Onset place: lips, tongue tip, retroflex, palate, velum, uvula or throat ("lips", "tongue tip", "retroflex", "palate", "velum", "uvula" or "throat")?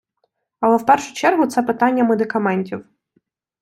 tongue tip